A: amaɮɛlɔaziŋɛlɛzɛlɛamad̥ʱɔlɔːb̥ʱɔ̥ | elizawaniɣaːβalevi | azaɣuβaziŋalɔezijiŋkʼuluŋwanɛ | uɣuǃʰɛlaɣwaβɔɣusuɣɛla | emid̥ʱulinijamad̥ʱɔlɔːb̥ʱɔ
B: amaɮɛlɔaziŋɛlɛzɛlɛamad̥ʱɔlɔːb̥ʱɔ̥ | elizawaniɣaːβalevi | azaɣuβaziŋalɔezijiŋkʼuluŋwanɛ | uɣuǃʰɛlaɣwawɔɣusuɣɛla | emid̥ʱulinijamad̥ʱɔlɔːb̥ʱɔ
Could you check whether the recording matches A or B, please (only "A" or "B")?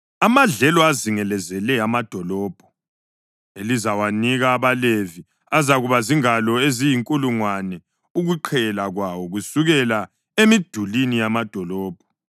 B